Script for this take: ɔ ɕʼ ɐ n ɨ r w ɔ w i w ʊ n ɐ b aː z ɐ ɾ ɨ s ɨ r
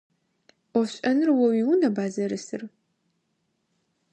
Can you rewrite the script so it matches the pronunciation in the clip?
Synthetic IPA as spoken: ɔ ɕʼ ɐ n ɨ r w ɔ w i w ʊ n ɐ b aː z ɐ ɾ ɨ s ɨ r